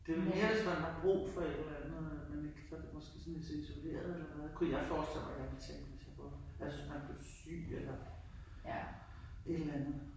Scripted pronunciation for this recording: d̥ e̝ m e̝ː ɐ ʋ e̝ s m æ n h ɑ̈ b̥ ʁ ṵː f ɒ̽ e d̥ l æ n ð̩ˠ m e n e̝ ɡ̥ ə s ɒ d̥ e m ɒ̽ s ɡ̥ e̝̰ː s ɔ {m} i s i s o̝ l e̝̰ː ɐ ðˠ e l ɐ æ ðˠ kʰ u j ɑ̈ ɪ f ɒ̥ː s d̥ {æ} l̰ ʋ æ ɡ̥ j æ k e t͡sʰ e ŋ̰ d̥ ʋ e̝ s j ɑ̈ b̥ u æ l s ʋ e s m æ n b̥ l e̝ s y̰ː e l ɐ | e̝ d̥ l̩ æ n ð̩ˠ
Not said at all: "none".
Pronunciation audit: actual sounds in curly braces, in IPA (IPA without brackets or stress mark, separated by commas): n, e